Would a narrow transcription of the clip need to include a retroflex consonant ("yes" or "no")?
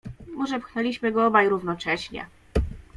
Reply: yes